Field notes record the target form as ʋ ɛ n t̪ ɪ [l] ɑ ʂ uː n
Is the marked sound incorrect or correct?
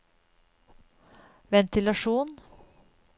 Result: correct